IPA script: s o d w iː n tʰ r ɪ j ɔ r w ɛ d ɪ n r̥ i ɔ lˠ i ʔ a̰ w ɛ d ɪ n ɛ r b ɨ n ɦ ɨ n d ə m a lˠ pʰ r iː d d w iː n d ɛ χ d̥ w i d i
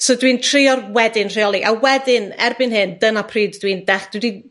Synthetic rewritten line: s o d w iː n tʰ r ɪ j ɔ r w ɛ d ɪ n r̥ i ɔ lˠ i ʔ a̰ w ɛ d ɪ n ɛ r b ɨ n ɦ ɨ n d ə n a pʰ r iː d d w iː n d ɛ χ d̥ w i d i